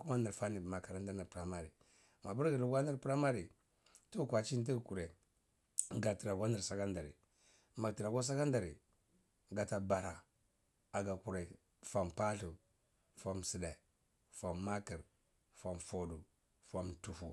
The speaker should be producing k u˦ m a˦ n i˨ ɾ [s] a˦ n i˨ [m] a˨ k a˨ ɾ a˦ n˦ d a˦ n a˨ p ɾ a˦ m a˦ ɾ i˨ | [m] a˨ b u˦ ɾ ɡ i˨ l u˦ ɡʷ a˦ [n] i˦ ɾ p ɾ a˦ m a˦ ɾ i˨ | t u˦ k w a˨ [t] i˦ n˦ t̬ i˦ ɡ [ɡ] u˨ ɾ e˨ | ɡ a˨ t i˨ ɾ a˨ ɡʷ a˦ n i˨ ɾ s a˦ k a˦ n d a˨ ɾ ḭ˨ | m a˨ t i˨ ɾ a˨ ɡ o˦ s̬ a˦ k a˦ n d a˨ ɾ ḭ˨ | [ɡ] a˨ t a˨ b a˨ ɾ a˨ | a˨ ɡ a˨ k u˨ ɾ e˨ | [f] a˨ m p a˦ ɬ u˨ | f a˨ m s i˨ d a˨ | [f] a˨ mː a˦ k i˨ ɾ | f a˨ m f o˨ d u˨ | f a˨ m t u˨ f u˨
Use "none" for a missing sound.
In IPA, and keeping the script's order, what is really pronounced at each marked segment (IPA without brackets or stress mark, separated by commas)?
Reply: f, m, m, n, t͡ʃ, k, ɡ, f, f